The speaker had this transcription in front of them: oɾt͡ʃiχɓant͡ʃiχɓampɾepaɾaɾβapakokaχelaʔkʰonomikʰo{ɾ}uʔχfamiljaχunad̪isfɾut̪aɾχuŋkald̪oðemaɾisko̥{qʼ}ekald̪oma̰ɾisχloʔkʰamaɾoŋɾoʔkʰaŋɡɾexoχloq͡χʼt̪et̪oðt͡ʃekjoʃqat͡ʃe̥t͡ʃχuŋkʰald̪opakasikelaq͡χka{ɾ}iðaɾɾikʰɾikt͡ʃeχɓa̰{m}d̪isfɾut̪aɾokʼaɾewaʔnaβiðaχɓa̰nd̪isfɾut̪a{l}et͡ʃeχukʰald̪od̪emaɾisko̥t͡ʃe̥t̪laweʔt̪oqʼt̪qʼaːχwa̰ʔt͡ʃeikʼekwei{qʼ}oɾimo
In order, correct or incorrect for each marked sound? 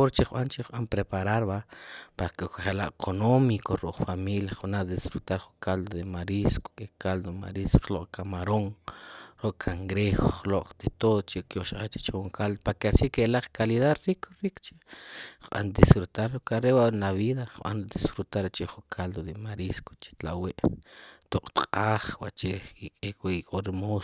correct, incorrect: kʼ, incorrect: l, incorrect: n, incorrect: ɾ, incorrect: kʼ

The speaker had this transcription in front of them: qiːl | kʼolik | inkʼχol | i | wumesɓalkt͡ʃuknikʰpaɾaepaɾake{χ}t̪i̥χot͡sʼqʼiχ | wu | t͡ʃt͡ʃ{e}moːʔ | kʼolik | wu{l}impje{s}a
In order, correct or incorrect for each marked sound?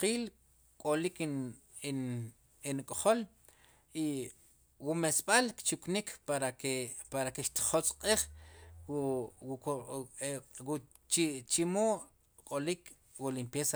incorrect: ʃ, incorrect: i, correct, correct

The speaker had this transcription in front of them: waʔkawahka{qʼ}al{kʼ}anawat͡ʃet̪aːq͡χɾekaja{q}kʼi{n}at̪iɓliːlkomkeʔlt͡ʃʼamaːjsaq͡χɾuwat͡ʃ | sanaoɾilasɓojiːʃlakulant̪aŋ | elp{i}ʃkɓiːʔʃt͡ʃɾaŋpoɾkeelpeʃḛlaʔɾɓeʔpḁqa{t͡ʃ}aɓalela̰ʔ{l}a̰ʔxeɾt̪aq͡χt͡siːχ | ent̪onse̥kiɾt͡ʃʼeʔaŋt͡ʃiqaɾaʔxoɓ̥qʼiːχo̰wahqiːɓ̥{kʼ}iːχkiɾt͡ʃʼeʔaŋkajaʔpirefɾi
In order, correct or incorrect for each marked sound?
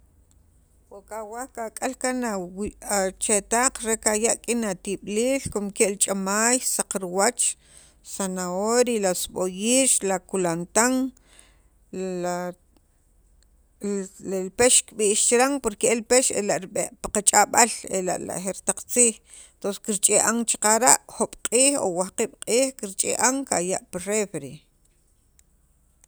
incorrect: kʼ, incorrect: k, incorrect: ʔ, correct, incorrect: e, incorrect: t͡ʃʼ, correct, incorrect: qʼ

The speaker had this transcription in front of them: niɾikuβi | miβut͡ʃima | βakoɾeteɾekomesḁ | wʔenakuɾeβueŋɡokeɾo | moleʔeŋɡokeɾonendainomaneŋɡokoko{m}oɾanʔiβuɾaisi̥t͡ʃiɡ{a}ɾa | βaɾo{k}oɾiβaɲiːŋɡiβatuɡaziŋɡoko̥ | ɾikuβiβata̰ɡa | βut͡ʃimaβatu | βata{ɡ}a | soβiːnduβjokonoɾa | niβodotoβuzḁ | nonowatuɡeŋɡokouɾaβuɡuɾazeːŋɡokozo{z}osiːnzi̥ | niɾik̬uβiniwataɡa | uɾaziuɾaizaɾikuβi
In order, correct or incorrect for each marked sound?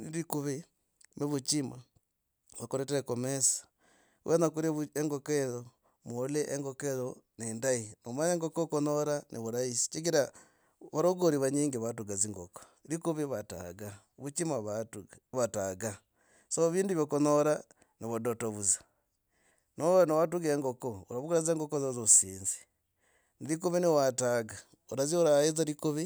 incorrect: n, incorrect: i, incorrect: ɡ, correct, correct

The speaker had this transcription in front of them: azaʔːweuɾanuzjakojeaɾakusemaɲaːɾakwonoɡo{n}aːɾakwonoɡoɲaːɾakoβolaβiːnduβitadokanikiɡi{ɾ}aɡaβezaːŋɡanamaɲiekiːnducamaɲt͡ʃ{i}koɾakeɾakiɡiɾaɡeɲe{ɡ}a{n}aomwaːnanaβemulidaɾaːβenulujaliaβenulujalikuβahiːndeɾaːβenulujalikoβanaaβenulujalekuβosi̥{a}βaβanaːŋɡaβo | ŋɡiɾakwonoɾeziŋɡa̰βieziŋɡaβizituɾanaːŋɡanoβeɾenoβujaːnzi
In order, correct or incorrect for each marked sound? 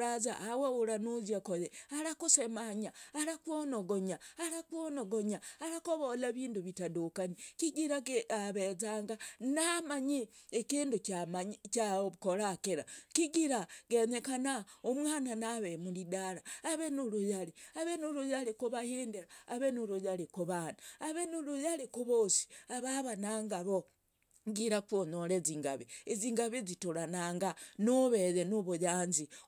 incorrect: ɲ, correct, incorrect: a, incorrect: k, correct, correct

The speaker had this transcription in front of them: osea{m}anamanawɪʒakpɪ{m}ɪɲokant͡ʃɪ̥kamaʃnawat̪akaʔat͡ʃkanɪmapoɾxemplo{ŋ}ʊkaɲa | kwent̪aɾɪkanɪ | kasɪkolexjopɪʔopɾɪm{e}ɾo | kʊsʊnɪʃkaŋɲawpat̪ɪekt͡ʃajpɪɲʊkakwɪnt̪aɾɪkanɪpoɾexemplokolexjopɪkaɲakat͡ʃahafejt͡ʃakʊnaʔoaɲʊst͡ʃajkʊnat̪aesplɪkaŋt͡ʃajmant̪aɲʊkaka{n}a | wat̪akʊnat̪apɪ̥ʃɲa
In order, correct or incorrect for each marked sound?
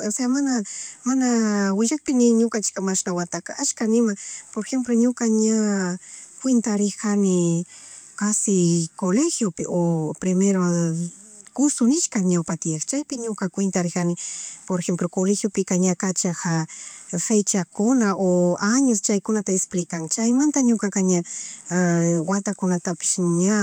correct, incorrect: n, incorrect: ɲ, correct, incorrect: ɲ

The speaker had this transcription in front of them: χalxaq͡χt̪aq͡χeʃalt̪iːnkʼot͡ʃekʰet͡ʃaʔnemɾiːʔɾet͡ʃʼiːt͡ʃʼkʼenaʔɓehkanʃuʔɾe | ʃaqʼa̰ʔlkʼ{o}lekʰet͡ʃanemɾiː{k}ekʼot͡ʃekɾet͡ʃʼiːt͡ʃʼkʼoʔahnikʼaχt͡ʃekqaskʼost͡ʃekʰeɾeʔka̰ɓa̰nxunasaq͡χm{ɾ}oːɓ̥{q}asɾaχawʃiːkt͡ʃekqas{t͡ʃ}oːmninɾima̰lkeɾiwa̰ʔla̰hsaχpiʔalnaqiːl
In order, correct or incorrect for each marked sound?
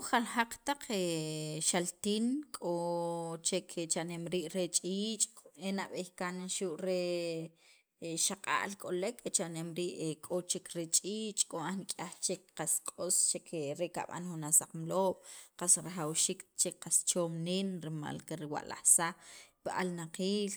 correct, incorrect: ʔ, incorrect: l, correct, correct

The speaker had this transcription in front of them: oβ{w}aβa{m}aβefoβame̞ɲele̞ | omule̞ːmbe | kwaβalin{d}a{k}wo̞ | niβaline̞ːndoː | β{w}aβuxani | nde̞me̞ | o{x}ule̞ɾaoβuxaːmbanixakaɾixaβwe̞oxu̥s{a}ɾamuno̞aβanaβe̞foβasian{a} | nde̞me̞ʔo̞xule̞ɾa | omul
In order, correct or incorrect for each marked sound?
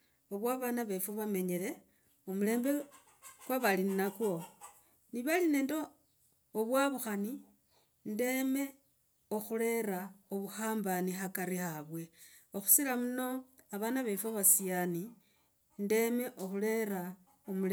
correct, incorrect: n, incorrect: n, correct, correct, correct, incorrect: i, incorrect: i

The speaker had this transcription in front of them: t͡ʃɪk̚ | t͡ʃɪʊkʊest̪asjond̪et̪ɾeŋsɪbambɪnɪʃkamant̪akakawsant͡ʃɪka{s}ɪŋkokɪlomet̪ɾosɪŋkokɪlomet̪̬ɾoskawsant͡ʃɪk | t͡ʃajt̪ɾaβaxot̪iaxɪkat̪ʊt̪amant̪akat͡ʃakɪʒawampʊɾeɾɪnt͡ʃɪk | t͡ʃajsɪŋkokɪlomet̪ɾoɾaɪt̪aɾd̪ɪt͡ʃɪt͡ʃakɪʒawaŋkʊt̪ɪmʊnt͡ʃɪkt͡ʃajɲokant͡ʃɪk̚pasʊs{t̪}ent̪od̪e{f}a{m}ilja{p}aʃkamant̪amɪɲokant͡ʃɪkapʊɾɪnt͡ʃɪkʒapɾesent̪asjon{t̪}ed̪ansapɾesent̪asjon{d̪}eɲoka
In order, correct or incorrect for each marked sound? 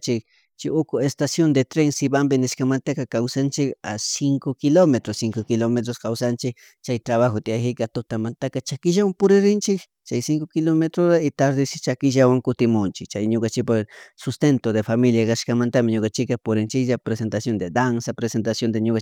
correct, correct, correct, correct, incorrect: k, incorrect: d̪, correct

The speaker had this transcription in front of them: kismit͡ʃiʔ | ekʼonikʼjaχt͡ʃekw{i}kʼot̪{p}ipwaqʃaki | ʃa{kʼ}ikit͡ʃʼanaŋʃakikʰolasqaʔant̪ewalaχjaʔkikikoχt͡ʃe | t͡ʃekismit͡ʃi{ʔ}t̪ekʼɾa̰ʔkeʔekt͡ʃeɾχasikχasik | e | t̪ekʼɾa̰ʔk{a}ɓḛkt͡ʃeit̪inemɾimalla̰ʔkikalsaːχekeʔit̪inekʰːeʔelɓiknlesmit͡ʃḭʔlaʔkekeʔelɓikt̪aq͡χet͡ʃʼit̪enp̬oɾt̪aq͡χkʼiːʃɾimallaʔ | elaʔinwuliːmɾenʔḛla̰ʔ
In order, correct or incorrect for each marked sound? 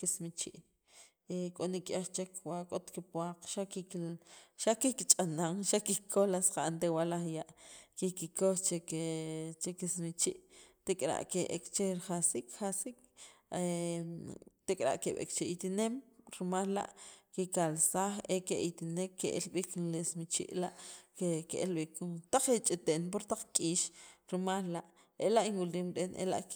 incorrect: a, incorrect: k, incorrect: k, correct, incorrect: e

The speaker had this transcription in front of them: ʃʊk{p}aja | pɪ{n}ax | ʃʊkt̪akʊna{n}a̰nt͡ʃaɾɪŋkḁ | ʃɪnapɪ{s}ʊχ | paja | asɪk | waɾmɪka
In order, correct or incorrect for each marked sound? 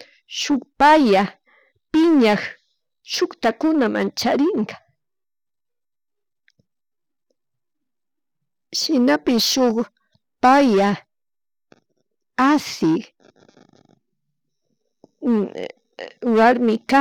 correct, incorrect: ɲ, incorrect: m, incorrect: ʃ

